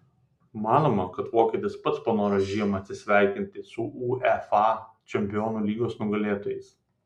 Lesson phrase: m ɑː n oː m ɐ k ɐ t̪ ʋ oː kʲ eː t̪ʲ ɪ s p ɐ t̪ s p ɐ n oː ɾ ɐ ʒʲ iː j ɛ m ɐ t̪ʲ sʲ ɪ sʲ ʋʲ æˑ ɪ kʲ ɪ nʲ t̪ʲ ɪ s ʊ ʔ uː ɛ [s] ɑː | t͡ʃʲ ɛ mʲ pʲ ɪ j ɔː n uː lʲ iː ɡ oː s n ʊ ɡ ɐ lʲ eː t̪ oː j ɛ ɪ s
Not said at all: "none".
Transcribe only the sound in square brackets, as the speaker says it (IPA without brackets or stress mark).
f